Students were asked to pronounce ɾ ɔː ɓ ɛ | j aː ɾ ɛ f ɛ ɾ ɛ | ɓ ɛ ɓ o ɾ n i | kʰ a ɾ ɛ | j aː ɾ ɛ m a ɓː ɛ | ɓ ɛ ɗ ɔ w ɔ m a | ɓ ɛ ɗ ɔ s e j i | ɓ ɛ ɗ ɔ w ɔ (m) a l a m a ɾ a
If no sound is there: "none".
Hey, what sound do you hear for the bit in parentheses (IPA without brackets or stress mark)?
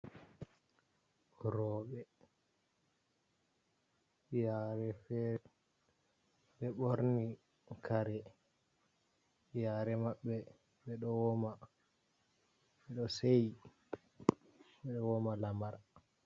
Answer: m